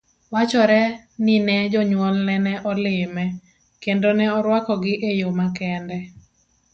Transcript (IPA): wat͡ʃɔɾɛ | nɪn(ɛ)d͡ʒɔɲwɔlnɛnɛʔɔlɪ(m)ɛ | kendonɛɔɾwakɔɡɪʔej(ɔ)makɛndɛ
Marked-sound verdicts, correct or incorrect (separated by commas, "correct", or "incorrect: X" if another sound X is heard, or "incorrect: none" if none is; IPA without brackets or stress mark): correct, correct, incorrect: o